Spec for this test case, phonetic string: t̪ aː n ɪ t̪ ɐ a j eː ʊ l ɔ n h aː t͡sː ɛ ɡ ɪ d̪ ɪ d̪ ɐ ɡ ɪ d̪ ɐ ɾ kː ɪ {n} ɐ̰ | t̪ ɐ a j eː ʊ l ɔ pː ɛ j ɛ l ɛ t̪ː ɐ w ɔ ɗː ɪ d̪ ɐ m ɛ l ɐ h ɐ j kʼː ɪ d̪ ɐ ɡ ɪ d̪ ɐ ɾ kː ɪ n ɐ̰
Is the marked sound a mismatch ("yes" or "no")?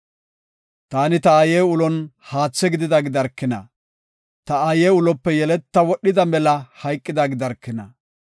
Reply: no